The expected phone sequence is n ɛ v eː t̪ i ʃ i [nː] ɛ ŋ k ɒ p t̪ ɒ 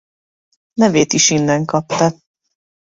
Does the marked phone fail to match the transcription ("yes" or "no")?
no